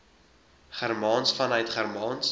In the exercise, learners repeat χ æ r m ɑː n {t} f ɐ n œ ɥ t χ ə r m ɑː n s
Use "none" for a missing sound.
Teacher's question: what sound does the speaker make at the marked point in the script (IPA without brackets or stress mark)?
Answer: s